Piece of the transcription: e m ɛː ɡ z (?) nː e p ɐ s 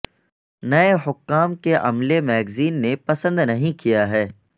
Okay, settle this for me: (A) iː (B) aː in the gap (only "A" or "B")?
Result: A